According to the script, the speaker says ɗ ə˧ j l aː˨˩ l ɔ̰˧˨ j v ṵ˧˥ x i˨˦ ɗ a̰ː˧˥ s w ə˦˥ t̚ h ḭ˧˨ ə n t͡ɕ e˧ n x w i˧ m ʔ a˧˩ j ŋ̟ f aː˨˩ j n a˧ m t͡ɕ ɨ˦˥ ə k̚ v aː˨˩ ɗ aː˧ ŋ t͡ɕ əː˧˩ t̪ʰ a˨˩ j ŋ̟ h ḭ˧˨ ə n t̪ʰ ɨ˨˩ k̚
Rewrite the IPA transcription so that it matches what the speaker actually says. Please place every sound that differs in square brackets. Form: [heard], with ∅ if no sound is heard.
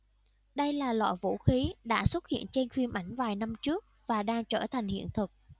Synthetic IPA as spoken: ɗ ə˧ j l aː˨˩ l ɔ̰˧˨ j v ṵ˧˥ x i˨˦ ɗ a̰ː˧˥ s w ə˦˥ t̚ h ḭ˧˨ ə n t͡ɕ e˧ n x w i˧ m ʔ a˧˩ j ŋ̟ [v] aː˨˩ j n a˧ m t͡ɕ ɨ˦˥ ə k̚ v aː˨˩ ɗ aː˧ ŋ t͡ɕ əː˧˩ t̪ʰ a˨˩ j ŋ̟ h ḭ˧˨ ə n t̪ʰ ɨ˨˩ k̚